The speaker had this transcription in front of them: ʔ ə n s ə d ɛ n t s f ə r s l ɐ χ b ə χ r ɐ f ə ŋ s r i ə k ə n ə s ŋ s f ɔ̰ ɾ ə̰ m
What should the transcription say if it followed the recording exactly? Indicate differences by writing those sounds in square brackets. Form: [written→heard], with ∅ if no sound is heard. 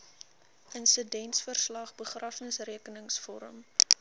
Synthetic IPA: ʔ ə n s ə d ɛ n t s f ə r s l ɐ χ b ə χ r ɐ f ə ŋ s r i ə k ə n ə [s→∅] ŋ s f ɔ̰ ɾ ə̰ m